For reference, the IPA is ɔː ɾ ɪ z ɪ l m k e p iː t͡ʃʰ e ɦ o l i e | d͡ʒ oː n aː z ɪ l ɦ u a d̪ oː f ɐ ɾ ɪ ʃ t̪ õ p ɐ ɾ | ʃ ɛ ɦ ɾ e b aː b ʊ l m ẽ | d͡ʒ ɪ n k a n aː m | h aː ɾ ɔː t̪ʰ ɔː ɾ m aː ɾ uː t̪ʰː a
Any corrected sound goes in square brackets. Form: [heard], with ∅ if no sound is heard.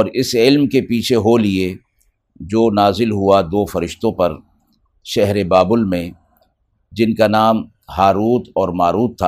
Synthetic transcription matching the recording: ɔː ɾ ɪ [s] ɪ l m k e p iː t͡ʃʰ e ɦ o l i e | d͡ʒ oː n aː z ɪ l ɦ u a d̪ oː f ɐ ɾ ɪ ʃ t̪ õ p ɐ ɾ | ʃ ɛ ɦ ɾ e b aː b ʊ l m ẽ | d͡ʒ ɪ n k a n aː m | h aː ɾ [uː] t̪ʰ ɔː ɾ m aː ɾ uː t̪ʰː a